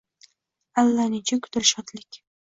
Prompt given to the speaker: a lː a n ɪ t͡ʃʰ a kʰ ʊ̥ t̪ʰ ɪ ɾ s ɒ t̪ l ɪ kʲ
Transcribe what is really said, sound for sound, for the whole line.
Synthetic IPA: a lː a n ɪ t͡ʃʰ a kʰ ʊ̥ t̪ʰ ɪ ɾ ʃ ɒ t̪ l ɪ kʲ